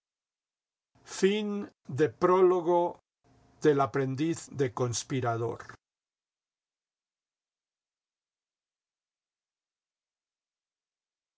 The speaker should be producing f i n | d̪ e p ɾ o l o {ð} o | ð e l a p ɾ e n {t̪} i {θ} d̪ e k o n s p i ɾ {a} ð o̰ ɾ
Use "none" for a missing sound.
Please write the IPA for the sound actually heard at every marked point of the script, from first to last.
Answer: ɣ, d̪, θ, a

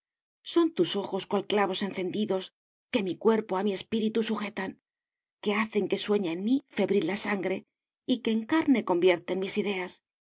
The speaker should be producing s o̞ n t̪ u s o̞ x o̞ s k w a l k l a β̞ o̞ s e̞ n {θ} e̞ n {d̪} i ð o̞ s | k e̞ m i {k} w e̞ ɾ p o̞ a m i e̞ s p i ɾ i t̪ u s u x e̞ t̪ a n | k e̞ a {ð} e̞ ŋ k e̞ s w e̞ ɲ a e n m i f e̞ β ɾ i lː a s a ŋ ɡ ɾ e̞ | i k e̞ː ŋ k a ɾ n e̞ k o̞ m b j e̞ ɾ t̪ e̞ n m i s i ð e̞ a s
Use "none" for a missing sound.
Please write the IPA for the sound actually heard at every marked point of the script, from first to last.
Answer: θ, d̪, k, θ

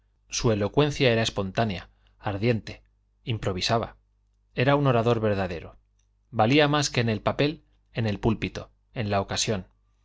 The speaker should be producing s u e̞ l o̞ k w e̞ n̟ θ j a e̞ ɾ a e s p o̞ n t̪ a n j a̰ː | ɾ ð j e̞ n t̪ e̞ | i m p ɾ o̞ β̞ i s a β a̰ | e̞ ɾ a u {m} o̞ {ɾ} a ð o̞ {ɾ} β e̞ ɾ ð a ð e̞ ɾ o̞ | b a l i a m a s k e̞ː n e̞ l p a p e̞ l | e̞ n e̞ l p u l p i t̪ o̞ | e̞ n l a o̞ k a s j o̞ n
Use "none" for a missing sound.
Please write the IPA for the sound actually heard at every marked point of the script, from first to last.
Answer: n, ɾ, ɾ

